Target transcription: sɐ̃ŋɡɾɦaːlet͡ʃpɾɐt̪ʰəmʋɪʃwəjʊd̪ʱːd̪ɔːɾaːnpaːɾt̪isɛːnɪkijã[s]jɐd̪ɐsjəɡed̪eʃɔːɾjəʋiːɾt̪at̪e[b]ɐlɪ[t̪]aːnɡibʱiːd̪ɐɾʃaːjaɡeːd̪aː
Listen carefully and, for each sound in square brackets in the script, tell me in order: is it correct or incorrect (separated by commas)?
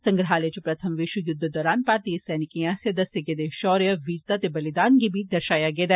correct, correct, incorrect